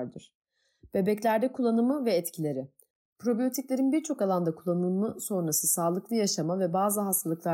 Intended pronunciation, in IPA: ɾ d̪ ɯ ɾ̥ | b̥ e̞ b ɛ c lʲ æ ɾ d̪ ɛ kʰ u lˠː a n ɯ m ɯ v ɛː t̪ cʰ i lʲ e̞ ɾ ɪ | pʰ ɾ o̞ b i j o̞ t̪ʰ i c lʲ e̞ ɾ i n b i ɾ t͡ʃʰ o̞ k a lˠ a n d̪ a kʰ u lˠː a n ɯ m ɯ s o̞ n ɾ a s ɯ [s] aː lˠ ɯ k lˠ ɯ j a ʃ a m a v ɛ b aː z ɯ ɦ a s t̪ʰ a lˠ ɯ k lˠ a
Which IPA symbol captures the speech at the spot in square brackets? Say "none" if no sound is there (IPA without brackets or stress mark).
s